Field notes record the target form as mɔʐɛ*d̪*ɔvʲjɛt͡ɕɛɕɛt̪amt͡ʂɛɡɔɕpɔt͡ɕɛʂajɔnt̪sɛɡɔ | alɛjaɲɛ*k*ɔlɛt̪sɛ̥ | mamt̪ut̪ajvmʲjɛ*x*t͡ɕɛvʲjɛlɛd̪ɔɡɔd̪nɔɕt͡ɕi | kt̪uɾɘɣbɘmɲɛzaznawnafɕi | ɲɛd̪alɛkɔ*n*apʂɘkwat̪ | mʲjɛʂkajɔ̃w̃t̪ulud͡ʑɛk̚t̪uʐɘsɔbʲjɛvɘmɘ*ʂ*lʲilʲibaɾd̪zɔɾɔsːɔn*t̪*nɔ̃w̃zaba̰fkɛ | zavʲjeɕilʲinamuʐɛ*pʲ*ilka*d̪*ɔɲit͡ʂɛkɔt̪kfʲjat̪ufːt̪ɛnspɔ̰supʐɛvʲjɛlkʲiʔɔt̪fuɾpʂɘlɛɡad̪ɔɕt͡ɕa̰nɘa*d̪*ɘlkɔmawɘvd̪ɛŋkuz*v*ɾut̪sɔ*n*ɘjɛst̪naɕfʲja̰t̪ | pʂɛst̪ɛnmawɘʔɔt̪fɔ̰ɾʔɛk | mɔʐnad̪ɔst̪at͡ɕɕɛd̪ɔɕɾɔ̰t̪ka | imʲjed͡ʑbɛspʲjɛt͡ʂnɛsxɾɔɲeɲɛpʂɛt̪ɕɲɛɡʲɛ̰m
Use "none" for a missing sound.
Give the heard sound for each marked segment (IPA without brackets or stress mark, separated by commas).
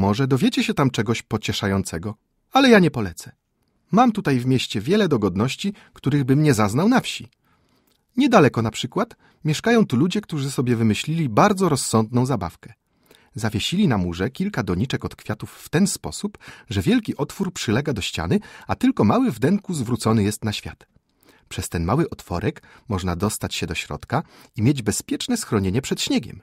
d̪, p, ɕ, n, ɕ, d̪, kʲ, d̪, t̪, v, n